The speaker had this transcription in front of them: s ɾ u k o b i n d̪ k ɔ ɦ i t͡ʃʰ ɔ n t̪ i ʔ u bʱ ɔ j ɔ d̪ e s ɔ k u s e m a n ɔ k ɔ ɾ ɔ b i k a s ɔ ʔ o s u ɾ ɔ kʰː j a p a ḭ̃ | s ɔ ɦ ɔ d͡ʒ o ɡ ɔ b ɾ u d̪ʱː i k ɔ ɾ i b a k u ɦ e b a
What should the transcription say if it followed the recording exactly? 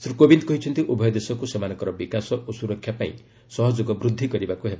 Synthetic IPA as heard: s ɾ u k o b i n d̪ k ɔ ɦ i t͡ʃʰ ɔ n t̪ i ʔ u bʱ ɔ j ɔ d̪ e s ɔ k u s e m a n ɔ k ɔ ɾ ɔ b i k a s ɔ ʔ o s u ɾ ɔ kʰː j a p a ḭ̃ | s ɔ ɦ ɔ d͡ʒ o ɡ ɔ b ɾ u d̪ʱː i k ɔ ɾ i b a k u ɦ e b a